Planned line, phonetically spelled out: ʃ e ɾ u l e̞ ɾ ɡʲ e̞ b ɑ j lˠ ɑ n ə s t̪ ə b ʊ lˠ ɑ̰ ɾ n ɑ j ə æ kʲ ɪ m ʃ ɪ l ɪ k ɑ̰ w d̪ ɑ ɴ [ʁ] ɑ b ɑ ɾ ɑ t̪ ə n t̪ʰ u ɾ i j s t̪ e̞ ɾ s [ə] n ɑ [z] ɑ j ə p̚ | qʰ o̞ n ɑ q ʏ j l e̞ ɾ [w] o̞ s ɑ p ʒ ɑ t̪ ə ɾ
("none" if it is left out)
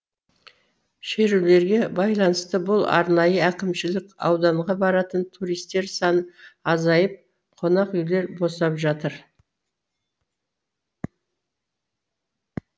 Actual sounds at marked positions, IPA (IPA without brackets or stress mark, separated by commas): ʁ, ɑ, z, b